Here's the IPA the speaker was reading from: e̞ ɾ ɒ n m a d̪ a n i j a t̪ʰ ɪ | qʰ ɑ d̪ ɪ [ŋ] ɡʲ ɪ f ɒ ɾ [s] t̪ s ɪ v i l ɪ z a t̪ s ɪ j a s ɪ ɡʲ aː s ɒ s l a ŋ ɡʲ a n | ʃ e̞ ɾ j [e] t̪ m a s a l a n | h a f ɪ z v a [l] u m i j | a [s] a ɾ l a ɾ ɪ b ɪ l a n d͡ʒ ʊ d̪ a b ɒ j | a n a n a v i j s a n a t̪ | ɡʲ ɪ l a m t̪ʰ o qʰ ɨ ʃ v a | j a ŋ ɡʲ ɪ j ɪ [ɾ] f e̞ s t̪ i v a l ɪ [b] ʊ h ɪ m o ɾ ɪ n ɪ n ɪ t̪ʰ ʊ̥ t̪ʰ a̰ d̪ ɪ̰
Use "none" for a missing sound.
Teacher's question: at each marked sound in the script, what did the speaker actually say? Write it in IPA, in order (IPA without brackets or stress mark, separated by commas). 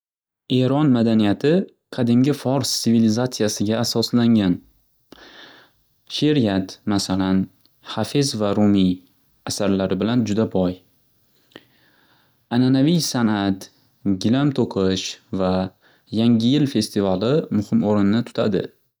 m, s, a, ɾ, s, l, m